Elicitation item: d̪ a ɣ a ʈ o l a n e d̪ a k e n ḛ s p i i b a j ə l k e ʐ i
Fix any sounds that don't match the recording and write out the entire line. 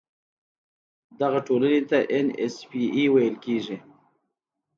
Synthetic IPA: d̪ a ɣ a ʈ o l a n e t̪ a ʔ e n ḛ s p i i w a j ə l k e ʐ i